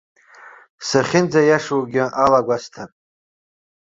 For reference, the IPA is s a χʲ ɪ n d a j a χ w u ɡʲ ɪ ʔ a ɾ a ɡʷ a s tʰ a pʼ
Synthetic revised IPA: s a χʲ ɪ n d͡z a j a ʂ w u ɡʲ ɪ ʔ a l a ɡʷ a s tʰ a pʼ

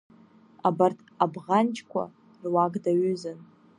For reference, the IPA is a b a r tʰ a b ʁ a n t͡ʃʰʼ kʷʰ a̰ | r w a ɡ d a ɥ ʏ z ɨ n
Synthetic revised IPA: a b a r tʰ a b ʁ a n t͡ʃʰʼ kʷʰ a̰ | r w a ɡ d a ɥ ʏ z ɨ n

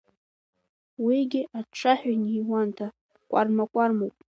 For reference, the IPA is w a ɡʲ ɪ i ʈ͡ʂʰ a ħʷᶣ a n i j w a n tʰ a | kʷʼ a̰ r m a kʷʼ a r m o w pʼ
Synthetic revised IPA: w i ɡʲ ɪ a ʈ͡ʂʰ a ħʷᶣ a n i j w a n tʰ a | kʷʼ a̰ r m a kʷʼ a r m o w pʼ

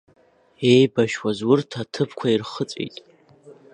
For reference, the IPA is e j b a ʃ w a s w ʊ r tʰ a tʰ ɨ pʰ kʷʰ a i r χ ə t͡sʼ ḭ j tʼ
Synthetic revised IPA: e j b a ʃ w a z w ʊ r tʰ a tʰ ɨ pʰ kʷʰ a i r χ ə t͡sʼ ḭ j tʼ

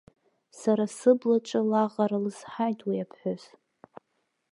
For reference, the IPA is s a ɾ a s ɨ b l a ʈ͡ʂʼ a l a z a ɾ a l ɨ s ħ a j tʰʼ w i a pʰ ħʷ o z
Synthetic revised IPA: s a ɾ a s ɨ b l a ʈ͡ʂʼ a l a ʁ a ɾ a l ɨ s ħ a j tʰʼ w i a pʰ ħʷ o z

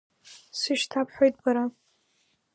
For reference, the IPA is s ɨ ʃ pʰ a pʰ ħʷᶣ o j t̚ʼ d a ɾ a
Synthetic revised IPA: s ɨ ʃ tʰ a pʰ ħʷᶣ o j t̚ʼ b a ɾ a

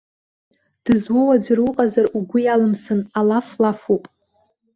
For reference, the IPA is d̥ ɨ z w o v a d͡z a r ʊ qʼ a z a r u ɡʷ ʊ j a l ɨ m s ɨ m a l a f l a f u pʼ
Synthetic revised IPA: d̥ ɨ z w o w a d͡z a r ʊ qʼ a z a r u ɡʷ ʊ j a l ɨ m s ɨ n a l a f l a f u pʼ

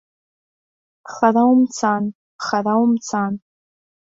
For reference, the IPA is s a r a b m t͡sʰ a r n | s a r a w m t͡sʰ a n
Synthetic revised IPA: χ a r a w m t͡sʰ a n | χ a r a w m t͡sʰ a n

